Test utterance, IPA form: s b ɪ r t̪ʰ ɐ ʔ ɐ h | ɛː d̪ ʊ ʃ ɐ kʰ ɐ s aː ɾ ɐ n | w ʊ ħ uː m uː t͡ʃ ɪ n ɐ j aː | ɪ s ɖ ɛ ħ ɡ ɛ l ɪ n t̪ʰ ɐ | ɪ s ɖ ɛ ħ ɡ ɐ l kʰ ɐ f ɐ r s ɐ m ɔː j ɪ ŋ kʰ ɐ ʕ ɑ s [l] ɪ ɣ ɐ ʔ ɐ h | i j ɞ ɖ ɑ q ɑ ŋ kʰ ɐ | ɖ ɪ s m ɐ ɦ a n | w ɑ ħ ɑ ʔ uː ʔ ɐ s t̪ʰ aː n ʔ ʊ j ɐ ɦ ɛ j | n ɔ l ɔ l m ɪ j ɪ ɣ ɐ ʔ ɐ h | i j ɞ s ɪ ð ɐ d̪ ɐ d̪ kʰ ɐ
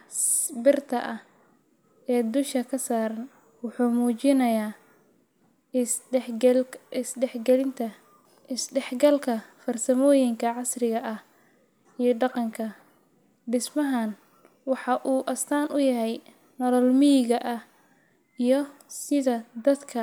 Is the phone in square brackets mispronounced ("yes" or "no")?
yes